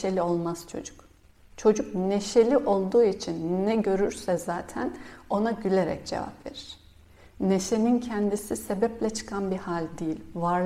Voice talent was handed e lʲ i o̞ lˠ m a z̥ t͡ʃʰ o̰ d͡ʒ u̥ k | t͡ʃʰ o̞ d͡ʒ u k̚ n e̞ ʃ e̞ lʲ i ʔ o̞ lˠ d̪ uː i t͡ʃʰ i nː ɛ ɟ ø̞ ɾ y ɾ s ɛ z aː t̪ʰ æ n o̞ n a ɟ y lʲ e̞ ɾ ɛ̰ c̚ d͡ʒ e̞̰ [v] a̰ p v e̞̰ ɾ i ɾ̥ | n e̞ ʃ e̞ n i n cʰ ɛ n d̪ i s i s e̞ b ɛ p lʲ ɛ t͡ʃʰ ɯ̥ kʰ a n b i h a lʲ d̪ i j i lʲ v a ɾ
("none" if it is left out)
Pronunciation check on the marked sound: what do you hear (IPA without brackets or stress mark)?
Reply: v